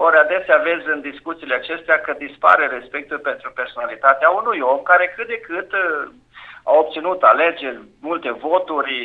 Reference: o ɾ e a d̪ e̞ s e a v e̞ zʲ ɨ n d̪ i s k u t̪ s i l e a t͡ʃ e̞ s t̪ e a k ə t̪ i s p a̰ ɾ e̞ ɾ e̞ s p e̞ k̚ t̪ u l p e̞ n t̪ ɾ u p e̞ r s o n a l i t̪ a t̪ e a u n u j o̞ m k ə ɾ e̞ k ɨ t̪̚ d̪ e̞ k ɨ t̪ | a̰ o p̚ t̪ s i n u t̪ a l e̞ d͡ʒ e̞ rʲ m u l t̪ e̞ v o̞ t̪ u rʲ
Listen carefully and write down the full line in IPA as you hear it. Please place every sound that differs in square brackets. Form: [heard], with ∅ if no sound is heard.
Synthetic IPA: o ɾ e a d̪ e̞ s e a v e̞ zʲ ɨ n d̪ i s k u t̪ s i l e a t͡ʃ e̞ s t̪ e a k ə [d̪] i s p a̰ ɾ e̞ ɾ e̞ s p e̞ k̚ t̪ u l p e̞ n t̪ ɾ u p e̞ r s o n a l i t̪ a t̪ e a u n u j o̞ m k [a] ɾ e̞ k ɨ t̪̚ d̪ e̞ k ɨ t̪ | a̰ o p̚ t̪ s i n u t̪ a l e̞ d͡ʒ e̞ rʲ m u l t̪ e̞ v o̞ t̪ u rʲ